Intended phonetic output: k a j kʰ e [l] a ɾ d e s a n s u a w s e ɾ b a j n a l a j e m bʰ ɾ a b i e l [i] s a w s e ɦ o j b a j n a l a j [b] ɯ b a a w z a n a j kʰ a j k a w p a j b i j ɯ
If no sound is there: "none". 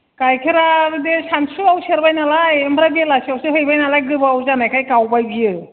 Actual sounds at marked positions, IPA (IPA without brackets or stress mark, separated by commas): ɾ, a, ɡ